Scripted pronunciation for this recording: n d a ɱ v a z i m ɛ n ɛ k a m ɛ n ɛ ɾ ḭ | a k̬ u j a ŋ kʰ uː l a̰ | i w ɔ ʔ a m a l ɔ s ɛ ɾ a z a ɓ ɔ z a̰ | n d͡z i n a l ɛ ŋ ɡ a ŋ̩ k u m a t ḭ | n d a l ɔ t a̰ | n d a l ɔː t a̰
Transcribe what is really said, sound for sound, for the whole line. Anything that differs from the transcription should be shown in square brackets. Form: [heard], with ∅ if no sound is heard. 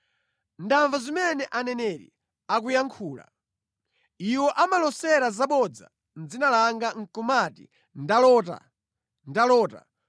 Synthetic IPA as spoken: n d a ɱ v a z i m ɛ n ɛ [ʔ] a [n] ɛ n ɛ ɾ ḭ | a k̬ u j a ŋ kʰ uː l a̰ | i w ɔ ʔ a m a l ɔ s ɛ ɾ a z a ɓ ɔ [d͡z] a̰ | n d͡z i n a l [a] ŋ ɡ a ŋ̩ k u m a t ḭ | n d a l ɔ t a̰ | n d a l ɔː t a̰